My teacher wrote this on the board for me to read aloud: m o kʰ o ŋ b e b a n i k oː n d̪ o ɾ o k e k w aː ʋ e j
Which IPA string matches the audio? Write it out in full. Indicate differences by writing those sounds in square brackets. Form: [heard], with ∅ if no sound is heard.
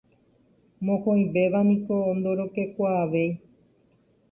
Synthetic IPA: m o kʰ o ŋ b e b a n i k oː n d̪ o ɾ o k e k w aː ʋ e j